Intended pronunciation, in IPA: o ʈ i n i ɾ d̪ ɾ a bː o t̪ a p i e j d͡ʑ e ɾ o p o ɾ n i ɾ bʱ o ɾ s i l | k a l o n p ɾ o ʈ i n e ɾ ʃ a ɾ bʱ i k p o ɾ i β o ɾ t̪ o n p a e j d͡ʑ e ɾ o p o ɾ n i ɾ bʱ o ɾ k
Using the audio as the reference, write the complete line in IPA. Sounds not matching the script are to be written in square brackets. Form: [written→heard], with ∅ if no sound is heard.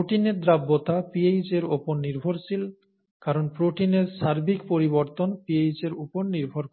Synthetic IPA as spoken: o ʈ i n [i→e] ɾ d̪ ɾ a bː o t̪ a p i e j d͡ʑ e ɾ o p o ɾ n i ɾ bʱ o ɾ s i l | k a [l→ɾ] o n p ɾ o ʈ i n e ɾ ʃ a ɾ bʱ i k p o ɾ i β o ɾ t̪ o n p [a→i] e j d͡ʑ e ɾ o p o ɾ n i ɾ bʱ o ɾ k